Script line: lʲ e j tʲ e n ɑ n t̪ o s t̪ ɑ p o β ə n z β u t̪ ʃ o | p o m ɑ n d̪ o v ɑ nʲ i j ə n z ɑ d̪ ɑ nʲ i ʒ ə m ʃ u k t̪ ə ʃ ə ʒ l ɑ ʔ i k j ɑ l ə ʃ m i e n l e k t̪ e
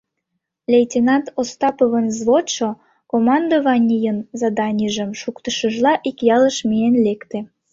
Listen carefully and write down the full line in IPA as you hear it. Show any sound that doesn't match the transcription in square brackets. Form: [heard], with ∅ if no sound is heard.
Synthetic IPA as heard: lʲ e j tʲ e n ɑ n t̪ o s t̪ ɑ p o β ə n z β [o] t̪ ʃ o | [k] o m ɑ n d̪ o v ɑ nʲ i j ə n z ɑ d̪ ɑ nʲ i ʒ ə m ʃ u k t̪ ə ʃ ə ʒ l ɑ ʔ i k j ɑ l ə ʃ m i e n l e k t̪ e